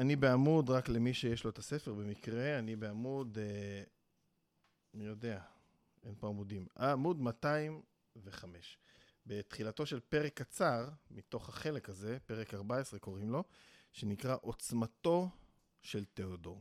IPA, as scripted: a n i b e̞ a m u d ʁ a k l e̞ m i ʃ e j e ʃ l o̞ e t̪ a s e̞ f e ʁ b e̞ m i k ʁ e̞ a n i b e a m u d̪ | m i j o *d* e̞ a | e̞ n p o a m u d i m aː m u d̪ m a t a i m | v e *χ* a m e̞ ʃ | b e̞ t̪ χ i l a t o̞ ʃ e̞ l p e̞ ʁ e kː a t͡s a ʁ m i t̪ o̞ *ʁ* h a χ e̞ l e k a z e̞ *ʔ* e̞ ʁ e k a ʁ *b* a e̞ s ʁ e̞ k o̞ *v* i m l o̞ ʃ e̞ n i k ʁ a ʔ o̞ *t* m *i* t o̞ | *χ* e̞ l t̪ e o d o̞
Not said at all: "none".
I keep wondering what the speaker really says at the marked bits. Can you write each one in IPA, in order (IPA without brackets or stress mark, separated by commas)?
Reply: d, χ, χ, p, b, ʁ, t͡s, a, ʃ